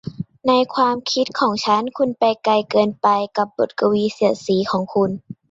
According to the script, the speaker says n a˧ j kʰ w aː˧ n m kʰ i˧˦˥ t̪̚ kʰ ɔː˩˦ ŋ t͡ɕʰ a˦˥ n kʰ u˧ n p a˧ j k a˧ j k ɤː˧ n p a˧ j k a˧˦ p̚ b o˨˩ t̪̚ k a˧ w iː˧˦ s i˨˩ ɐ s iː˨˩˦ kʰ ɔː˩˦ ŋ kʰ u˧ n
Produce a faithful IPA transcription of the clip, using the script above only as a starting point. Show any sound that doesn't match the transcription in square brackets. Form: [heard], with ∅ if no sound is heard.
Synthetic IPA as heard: n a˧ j kʰ w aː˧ [∅] m kʰ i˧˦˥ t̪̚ kʰ ɔː˩˦ ŋ t͡ɕʰ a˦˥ n kʰ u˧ n p a˧ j k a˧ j k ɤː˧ n p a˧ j k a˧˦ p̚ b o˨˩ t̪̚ k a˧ w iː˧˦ s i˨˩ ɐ s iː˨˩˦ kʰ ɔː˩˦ ŋ kʰ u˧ n